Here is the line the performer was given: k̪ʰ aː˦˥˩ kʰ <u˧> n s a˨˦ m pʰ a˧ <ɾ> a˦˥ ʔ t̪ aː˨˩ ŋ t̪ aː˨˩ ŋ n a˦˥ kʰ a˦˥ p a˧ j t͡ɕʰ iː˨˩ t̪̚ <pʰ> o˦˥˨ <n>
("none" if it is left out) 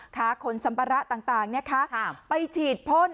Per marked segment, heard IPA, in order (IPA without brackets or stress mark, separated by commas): o˧, ɾ, pʰ, n